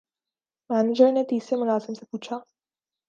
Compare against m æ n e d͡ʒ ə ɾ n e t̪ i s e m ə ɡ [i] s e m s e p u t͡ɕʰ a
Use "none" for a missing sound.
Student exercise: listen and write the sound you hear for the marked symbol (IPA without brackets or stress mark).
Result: a